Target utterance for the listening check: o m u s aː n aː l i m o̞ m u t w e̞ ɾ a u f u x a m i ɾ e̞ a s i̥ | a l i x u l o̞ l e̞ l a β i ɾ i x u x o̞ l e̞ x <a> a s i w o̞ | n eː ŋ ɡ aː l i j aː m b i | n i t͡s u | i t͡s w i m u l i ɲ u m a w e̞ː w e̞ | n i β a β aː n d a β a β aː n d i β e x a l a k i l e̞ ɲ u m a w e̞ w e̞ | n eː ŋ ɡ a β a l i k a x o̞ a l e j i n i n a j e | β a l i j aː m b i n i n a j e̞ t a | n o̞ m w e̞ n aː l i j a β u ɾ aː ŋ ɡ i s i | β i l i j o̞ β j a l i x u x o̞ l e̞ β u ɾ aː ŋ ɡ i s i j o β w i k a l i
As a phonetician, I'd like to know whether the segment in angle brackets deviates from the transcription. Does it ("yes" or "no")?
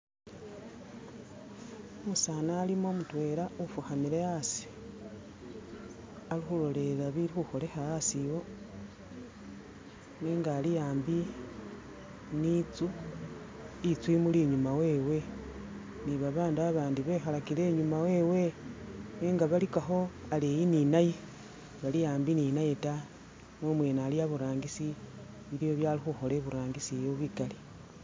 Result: no